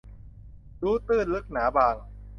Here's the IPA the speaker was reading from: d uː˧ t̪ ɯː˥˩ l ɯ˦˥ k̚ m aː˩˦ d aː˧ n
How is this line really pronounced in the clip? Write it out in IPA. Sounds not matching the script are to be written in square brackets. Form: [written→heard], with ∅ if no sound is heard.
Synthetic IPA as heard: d [uː˧→uː˦˥] t̪ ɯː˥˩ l ɯ˦˥ k̚ [m→n] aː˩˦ [d→b] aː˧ [n→ŋ]